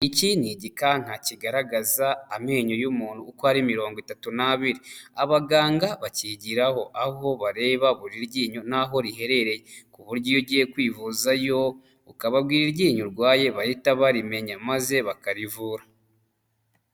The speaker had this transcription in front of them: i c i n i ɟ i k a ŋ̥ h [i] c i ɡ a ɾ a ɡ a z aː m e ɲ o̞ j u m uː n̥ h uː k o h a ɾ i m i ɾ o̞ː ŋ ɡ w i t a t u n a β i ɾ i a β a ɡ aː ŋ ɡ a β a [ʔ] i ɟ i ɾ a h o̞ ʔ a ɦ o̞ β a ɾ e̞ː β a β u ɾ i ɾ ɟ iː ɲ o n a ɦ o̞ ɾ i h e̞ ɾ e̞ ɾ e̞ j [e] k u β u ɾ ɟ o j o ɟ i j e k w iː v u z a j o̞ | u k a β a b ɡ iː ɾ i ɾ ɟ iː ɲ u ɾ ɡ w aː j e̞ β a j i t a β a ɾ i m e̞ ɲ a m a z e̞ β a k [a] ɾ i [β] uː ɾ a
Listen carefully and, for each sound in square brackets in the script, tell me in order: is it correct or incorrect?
incorrect: a, incorrect: c, correct, correct, incorrect: v

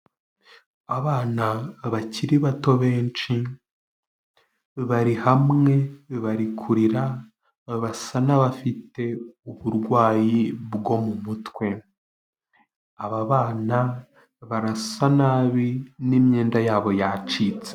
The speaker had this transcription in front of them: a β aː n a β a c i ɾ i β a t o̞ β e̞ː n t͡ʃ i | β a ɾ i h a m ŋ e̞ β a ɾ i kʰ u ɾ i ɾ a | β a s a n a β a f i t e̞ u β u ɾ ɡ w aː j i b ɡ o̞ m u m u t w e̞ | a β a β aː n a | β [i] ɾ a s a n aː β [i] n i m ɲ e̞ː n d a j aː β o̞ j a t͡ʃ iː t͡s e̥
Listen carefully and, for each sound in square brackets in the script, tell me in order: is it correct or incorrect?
incorrect: a, correct

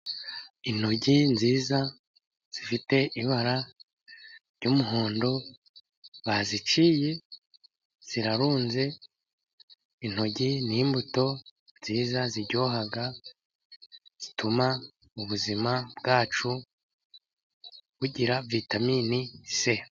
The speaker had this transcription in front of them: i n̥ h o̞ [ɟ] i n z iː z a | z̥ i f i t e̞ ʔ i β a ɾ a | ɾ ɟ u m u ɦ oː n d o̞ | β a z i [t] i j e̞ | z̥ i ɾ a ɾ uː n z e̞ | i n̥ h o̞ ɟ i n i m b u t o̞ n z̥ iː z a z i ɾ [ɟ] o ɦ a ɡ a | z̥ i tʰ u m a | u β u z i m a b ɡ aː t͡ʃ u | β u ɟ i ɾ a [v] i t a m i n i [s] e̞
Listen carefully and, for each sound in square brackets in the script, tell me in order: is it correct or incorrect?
correct, incorrect: t͡ʃ, correct, correct, correct

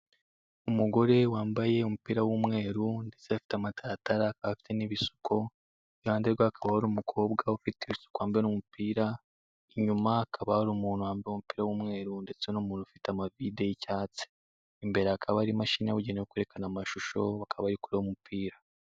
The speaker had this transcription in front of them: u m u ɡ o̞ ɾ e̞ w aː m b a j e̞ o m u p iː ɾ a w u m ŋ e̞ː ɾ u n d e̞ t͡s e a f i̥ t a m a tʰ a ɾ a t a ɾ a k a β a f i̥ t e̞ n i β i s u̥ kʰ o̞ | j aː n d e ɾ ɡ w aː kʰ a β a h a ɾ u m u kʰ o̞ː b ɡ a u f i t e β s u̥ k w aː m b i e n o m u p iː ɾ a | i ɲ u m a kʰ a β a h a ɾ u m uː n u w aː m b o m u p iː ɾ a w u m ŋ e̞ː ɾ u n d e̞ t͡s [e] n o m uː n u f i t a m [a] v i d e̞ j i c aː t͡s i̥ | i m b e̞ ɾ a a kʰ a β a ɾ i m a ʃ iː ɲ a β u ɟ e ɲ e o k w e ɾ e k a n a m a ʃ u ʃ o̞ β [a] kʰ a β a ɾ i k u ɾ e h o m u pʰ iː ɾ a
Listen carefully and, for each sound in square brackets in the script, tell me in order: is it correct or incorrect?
correct, correct, correct

